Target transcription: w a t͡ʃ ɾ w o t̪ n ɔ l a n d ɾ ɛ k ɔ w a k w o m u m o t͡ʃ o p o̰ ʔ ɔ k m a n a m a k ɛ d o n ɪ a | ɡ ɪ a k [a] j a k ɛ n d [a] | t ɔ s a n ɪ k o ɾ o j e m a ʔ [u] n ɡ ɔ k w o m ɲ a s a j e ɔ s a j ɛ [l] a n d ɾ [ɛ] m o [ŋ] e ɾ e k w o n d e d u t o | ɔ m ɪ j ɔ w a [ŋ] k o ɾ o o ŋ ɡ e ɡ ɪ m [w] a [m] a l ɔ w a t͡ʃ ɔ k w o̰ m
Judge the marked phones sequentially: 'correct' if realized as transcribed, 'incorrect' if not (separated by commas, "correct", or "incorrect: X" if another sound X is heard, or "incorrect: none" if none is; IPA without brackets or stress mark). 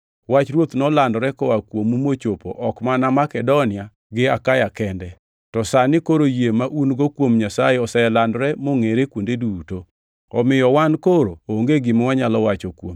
correct, incorrect: ɛ, correct, correct, correct, correct, incorrect: n, correct, incorrect: ɲ